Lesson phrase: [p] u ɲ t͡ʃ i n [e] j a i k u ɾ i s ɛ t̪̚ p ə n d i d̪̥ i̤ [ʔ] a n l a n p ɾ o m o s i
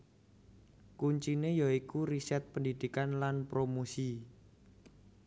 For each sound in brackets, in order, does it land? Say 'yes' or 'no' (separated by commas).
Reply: no, yes, no